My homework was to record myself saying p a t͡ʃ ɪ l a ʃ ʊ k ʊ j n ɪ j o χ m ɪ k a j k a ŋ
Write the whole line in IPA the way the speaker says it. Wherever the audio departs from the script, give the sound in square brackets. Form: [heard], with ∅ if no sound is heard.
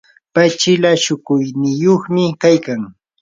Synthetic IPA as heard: p a t͡ʃ ɪ l a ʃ ʊ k ʊ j n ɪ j o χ m ɪ k a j k a ŋ